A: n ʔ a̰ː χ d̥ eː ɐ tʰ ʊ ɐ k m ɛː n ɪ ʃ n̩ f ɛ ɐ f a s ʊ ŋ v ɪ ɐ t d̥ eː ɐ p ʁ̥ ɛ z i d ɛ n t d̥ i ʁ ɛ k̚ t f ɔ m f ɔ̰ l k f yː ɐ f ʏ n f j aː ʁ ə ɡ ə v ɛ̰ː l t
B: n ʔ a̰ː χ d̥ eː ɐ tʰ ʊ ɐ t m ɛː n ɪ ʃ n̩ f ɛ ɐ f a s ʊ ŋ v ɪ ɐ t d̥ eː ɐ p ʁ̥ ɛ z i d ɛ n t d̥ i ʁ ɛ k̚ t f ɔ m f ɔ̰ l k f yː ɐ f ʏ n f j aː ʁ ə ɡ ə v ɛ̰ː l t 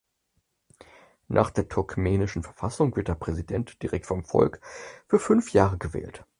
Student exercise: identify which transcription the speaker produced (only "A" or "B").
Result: A